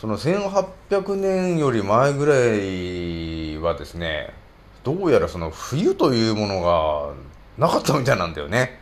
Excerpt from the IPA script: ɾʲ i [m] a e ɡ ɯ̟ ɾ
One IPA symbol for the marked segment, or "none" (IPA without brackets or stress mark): m